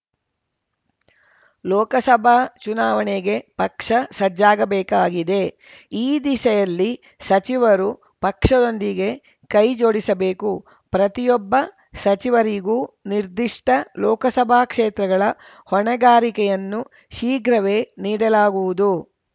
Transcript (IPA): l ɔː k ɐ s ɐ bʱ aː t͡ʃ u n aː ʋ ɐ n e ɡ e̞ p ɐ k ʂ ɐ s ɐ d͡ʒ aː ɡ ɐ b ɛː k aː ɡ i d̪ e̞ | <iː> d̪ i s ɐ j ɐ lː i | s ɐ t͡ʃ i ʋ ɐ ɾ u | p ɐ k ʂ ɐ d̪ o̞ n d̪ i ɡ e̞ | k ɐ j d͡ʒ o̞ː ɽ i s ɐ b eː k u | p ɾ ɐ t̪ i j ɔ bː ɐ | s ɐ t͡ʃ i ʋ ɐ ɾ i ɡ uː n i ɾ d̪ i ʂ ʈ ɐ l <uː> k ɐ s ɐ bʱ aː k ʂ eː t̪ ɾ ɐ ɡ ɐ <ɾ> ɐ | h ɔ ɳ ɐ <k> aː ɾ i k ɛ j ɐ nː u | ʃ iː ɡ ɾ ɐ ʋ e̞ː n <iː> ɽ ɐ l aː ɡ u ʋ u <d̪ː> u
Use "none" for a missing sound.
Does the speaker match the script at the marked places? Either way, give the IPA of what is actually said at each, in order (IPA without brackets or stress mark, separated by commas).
iː, ɔː, ɭ, ɡ, iː, d̪